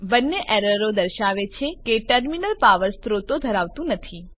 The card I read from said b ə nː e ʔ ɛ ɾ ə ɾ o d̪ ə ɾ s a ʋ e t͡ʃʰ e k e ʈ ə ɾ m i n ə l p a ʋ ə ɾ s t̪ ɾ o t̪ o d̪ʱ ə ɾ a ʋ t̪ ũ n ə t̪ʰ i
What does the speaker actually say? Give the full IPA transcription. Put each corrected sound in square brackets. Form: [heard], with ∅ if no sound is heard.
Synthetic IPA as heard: b ə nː e ʔ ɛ ɾ ə ɾ o d̪ ə ɾ [ʃ] a ʋ e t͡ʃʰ e k e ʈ ə ɾ m i n ə l p a ʋ ə ɾ s t̪ ɾ o t̪ o d̪ʱ ə ɾ a ʋ t̪ ũ n ə t̪ʰ i

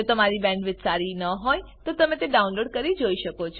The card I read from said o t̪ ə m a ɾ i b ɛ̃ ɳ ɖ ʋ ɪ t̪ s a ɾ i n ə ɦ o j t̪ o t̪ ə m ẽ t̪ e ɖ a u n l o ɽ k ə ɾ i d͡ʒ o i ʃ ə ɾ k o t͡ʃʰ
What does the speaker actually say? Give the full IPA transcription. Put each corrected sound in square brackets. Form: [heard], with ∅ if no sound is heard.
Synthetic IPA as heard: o t̪ ə m a ɾ i b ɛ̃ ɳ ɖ ʋ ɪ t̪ s a ɾ i n ə ɦ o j t̪ o t̪ ə m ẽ t̪ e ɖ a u n l o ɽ k ə ɾ i d͡ʒ o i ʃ ə [∅] k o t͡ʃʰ

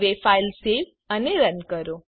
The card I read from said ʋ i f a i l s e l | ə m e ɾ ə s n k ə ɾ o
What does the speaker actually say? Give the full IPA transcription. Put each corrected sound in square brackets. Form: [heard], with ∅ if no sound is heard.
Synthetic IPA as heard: ʋ [e] f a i l s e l | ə [n] e ɾ ə [∅] n k ə ɾ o

